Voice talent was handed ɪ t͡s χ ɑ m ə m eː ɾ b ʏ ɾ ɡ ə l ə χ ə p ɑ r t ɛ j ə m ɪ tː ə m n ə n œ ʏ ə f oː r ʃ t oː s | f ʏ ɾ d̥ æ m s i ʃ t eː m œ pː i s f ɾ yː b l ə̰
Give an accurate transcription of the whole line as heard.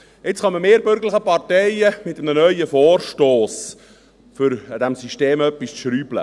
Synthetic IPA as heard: ɪ t͡s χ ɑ m ə m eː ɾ b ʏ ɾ ɡ ə l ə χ ə p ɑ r t ɛ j ə m ɪ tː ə m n ə n œ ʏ ə f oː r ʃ t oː s | f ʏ ɾ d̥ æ m s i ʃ t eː m œ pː i s ʃ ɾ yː b l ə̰